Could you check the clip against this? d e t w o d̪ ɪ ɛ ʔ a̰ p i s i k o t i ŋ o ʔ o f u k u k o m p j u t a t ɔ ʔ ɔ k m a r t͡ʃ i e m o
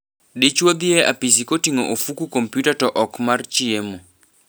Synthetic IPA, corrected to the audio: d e t͡ʃ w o d̪ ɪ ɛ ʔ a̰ p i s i k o t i ŋ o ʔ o f u k u k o m p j u t a t ɔ ʔ ɔ k m a r t͡ʃ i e m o

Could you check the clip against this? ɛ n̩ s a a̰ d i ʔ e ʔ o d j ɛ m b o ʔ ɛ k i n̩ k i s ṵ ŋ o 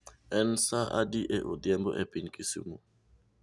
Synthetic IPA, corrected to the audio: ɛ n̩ s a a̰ d i ʔ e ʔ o d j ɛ m b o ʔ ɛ p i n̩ k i s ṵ m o

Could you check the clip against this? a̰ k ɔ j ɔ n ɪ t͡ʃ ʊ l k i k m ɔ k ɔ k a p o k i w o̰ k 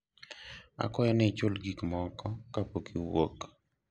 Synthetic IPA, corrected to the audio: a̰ k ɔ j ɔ n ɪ t͡ʃ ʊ l ɡ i k m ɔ k ɔ k a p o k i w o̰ k

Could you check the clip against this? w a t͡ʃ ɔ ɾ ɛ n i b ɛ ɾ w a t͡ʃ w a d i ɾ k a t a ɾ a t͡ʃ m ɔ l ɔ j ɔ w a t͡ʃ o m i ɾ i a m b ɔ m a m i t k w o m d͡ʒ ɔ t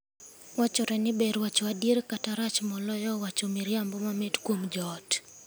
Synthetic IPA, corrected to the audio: w a t͡ʃ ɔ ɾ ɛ n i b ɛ ɾ w a t͡ʃ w a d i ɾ k a t a ɾ a t͡ʃ m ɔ l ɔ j ɔ w a t͡ʃ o m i ɾ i a m b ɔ m a m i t k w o m d͡ʒ ɔ t

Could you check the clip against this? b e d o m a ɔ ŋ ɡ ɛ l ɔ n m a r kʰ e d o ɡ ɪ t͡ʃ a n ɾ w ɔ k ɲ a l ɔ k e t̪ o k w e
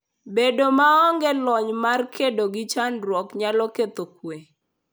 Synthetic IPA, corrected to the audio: b e d o m a ɔ ŋ ɡ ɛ l ɔ ɲ m a r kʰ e d o ɡ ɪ t͡ʃ a n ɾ w ɔ k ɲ a l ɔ k e t̪ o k w e

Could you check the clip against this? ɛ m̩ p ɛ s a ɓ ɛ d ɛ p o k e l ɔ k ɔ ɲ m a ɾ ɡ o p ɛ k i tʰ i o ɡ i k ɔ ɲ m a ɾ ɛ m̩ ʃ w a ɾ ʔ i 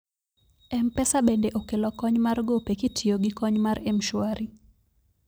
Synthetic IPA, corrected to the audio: ɛ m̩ p ɛ s a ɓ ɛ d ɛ ʔ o k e l ɔ k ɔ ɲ m a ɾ ɡ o p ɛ k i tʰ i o ɡ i k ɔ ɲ m a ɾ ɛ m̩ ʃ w a ɾ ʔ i

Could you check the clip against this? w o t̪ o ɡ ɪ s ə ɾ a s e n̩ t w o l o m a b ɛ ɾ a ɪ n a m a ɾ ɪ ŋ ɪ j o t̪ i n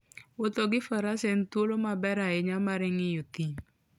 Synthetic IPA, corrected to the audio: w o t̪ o ɡ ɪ f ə ɾ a s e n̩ t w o l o m a b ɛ ɾ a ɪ ɲ a m a ɾ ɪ ŋ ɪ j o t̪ i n

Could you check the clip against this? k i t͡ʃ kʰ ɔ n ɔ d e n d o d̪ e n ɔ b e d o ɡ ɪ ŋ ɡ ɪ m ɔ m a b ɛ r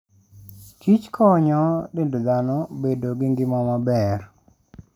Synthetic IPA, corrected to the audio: k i t͡ʃ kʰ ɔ ɲ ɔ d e n d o d̪ a n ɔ b e d o ɡ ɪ ŋ ɡ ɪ m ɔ m a b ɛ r

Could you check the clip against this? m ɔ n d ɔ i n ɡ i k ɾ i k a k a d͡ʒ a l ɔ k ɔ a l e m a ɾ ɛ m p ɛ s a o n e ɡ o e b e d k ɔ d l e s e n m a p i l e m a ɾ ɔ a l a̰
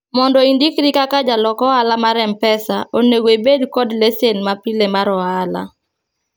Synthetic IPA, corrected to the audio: m ɔ n d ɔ i n d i k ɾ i k a k a d͡ʒ a l ɔ k ɔ a l a m a ɾ ɛ m p ɛ s a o n e ɡ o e b e d k ɔ d l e s e n m a p i l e m a ɾ ɔ a l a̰

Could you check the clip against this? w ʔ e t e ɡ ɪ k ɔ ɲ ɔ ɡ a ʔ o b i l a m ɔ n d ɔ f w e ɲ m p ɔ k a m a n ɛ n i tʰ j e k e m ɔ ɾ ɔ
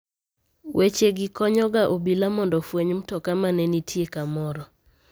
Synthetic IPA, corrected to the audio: w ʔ e t͡ʃ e ɡ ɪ k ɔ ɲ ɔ ɡ a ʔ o b i l a m ɔ n d ɔ f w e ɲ m t ɔ k a m a n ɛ n i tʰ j e k a m ɔ ɾ ɔ

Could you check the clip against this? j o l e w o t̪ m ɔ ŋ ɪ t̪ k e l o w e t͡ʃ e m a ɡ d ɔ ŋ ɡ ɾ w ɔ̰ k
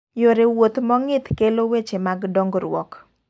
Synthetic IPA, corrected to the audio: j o ɾ e w o t̪ m ɔ ŋ ɪ t̪ k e l o w e t͡ʃ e m a ɡ d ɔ ŋ ɡ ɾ w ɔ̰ k

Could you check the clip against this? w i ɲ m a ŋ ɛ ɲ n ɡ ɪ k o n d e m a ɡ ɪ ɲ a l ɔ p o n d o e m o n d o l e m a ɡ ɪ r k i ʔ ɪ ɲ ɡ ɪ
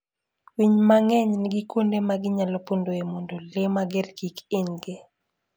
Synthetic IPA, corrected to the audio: w i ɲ m a ŋ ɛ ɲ n ɡ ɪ k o n d e m a ɡ ɪ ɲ a l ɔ p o n d o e m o n d o l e m a ɡ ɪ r k i k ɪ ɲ ɡ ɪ

